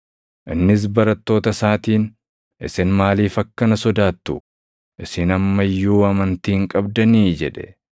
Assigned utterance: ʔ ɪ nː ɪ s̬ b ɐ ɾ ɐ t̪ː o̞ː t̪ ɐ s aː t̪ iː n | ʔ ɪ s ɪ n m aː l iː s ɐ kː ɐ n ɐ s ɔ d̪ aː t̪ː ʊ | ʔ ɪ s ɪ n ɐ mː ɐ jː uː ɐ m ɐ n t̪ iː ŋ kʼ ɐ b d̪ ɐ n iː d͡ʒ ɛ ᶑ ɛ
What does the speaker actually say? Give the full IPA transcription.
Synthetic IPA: ʔ ɪ nː ɪ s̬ b ɐ ɾ ɐ t̪ː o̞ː t̪ ɐ s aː t̪ iː n | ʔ ɪ s ɪ n m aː l iː f ɐ kː ɐ n ɐ s ɔ d̪ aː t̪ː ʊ | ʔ ɪ s ɪ n ɐ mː ɐ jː uː ɐ m ɐ n t̪ iː ŋ kʼ ɐ b d̪ ɐ n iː d͡ʒ ɛ ᶑ ɛ